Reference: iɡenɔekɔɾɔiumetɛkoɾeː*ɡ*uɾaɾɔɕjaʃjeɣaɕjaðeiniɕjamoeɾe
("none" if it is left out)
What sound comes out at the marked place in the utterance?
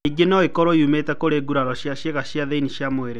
ɡ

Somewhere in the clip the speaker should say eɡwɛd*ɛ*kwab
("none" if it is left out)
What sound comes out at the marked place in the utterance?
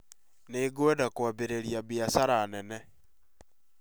a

